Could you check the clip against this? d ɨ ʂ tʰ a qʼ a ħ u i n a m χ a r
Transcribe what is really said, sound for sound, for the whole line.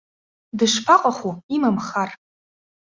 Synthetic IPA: d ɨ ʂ pʰ a qʼ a χ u i m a m χ a r